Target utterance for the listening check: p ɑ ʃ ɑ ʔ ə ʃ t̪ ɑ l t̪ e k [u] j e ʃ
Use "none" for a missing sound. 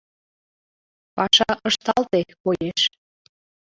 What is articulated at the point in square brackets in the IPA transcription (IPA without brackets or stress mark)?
o